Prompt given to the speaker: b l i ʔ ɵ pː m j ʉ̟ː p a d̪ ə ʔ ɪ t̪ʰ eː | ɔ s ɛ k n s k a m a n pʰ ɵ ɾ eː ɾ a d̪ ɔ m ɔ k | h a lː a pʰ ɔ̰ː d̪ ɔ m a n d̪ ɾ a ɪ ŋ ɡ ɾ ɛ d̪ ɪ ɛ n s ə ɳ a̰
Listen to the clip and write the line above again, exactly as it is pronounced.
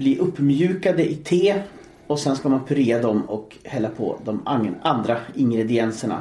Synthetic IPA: b l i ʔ ɵ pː m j ʉ̟ː k a d̪ ə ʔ ɪ t̪ʰ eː | ɔ s ɛ n s k a m a n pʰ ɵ ɾ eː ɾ a d̪ ɔ m ɔ k | h ɛ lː a pʰ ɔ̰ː d̪ ɔ m a n d̪ ɾ a ɪ ŋ ɡ ɾ ɛ d̪ ɪ ɛ n s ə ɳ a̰